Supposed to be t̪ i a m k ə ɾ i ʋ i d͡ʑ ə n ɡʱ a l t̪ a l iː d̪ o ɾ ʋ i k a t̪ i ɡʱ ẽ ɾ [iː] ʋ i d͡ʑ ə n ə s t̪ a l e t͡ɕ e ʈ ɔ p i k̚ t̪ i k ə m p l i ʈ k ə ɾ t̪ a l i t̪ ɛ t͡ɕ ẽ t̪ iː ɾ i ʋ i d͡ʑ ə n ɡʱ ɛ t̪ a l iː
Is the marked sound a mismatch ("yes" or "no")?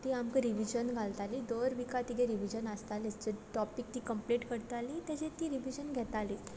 yes